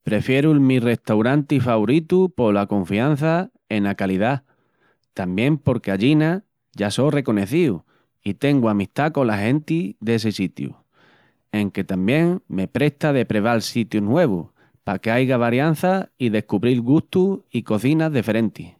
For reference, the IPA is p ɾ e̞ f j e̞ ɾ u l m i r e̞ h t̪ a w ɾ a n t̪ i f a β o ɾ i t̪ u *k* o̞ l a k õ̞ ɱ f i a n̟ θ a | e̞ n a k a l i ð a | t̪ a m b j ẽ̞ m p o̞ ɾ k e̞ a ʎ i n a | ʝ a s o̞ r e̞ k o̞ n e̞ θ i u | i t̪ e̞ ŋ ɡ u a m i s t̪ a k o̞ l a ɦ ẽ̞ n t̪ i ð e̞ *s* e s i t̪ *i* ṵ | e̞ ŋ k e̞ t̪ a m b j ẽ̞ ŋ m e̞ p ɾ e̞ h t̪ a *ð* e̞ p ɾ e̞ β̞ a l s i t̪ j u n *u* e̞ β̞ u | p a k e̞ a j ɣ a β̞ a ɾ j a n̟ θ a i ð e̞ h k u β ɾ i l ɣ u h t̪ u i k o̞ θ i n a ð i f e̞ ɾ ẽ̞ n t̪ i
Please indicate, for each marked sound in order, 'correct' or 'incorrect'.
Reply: incorrect: p, correct, incorrect: j, correct, incorrect: w

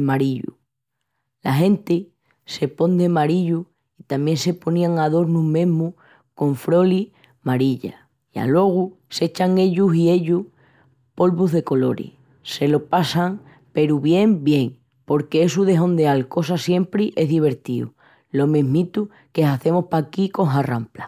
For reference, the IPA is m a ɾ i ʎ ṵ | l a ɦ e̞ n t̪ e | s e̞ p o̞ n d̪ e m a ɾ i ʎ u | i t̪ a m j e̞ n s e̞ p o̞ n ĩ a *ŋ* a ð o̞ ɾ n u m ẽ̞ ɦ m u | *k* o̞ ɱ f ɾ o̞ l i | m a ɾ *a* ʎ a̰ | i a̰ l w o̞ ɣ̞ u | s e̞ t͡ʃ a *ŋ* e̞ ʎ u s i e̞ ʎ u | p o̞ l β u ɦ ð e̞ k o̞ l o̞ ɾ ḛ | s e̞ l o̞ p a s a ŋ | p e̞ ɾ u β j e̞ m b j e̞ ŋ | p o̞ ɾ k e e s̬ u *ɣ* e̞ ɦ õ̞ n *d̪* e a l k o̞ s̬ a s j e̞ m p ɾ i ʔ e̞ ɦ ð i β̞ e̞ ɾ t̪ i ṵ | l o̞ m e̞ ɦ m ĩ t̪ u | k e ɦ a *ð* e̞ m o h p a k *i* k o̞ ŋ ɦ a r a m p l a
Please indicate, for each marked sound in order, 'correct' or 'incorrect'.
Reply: correct, correct, incorrect: i, correct, incorrect: ð, correct, incorrect: θ, correct

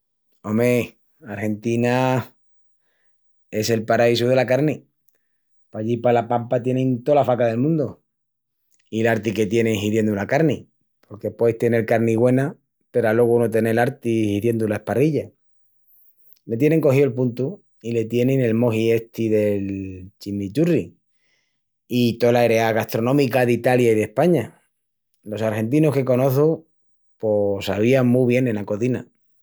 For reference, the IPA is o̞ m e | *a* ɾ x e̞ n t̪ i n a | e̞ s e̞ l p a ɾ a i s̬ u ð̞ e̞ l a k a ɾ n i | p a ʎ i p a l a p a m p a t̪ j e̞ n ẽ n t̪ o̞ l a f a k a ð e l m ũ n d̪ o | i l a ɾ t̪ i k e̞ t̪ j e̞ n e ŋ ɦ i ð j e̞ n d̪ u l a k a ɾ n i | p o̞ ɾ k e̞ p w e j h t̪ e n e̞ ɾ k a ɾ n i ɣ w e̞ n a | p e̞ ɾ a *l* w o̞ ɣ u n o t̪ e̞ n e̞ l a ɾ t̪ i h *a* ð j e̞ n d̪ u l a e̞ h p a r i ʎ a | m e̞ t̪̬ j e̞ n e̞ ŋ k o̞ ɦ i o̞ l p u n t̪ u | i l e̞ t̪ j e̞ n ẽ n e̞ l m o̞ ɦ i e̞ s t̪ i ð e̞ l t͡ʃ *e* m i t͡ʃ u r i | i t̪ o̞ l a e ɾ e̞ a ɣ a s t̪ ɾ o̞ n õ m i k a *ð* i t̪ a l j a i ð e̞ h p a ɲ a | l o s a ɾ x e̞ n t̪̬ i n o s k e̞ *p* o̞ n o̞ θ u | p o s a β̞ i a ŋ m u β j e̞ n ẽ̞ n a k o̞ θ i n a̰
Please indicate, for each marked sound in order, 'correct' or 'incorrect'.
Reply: correct, correct, incorrect: i, incorrect: i, correct, incorrect: k

